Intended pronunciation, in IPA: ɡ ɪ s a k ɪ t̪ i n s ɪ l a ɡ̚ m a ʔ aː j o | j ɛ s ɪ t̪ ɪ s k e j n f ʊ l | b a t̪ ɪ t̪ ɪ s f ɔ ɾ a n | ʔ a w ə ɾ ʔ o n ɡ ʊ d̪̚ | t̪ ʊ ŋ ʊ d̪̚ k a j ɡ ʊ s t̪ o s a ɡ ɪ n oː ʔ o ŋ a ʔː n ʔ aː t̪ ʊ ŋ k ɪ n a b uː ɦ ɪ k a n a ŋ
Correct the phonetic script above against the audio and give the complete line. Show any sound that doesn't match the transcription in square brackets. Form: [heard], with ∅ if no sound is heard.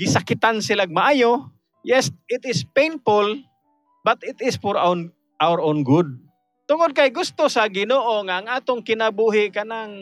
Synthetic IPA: ɡ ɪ s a k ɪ t̪ [a] n s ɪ l a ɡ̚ m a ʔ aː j o | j ɛ s ɪ t̪ ɪ s [p] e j n f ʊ l | b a t̪ ɪ t̪ ɪ s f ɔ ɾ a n | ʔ a w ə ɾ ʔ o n ɡ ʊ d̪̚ | t̪ ʊ ŋ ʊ d̪̚ k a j ɡ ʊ s t̪ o s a ɡ ɪ n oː ʔ o ŋ a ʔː [ŋ] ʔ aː t̪ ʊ ŋ k ɪ n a b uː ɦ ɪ k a n a ŋ